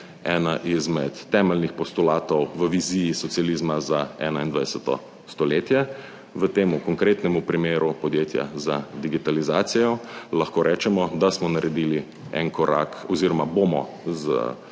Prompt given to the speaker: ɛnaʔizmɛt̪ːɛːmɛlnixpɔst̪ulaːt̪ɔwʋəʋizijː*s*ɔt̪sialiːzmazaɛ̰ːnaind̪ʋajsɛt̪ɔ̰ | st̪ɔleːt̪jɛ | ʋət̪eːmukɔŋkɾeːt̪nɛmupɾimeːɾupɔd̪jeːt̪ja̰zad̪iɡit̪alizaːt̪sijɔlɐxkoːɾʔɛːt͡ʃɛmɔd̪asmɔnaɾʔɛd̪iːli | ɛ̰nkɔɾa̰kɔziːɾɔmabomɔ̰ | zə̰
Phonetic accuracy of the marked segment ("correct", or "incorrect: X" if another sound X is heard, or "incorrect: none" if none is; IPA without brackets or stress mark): correct